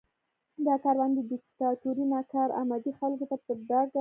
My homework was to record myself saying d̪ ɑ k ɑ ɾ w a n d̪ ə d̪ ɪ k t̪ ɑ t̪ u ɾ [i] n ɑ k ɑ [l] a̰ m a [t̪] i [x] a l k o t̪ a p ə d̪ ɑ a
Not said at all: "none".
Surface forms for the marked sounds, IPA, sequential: i, ɾ, d̪, x

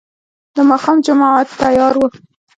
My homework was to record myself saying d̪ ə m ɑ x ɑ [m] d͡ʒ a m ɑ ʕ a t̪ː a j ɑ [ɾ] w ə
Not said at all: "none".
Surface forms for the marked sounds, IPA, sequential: m, ɾ

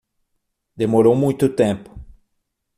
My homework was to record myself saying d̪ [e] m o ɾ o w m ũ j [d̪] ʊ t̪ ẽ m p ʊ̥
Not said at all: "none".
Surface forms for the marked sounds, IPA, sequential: e, t̪

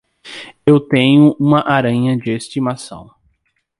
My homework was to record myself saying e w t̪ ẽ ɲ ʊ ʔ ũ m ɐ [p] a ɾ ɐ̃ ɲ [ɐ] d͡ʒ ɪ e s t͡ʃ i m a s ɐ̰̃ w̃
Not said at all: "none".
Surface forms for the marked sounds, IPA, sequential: ʔ, ɐ

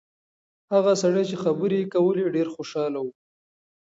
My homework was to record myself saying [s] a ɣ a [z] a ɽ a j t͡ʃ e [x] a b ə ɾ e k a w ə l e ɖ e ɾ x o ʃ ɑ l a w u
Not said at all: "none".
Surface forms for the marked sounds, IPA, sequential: h, s, x

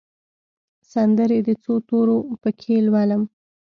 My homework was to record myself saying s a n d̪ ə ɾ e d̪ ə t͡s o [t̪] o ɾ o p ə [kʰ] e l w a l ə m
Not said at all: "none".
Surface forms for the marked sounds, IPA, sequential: t̪, kʰ

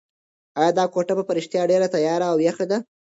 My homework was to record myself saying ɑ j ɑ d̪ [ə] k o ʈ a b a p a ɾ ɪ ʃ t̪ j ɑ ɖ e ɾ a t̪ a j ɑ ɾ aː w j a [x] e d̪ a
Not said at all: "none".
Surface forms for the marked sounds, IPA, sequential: ɑ, x

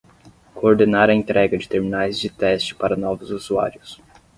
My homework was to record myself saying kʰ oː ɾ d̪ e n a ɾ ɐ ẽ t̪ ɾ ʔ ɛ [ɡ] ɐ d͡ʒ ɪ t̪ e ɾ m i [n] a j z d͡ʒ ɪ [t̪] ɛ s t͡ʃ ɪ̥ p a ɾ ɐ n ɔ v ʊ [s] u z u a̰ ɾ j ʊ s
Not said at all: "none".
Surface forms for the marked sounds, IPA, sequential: ɡ, n, t̪, z

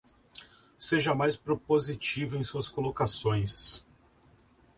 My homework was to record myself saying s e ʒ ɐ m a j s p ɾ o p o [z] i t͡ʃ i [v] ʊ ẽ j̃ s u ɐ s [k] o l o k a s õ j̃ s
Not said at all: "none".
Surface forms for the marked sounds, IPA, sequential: z, v, k

